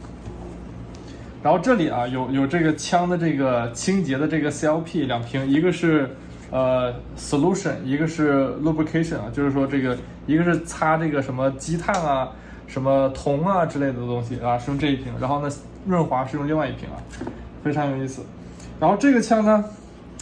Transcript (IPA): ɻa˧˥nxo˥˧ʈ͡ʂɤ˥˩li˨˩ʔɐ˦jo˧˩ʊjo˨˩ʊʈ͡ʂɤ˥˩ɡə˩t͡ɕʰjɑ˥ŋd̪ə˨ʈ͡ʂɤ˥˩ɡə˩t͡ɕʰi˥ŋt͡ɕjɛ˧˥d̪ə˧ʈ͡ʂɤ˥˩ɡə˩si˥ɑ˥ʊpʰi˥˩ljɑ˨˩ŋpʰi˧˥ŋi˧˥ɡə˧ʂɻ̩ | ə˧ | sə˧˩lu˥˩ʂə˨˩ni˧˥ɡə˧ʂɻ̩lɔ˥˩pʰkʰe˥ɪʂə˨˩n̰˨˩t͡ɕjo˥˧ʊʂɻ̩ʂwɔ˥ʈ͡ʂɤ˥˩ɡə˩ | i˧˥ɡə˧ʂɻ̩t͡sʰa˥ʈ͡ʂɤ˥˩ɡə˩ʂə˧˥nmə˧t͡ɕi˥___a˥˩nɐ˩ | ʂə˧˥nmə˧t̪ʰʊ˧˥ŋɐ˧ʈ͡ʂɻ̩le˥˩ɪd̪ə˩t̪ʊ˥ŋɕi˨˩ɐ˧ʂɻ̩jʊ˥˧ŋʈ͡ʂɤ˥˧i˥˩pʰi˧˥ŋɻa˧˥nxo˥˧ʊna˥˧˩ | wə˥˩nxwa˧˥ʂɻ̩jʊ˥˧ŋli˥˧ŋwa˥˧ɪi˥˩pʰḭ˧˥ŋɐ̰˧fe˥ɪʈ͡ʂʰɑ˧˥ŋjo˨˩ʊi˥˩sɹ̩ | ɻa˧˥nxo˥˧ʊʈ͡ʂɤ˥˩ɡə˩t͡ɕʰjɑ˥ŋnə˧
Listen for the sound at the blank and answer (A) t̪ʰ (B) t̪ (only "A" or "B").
A